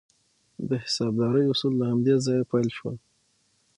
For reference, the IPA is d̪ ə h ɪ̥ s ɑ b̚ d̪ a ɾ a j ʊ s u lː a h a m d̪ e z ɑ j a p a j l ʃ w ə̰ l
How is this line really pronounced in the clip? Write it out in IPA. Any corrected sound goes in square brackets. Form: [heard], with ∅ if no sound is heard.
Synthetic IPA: d̪ ə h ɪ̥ s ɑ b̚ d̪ [ɑ] ɾ [ə] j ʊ s u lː a h a m d̪ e z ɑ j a p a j l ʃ w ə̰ l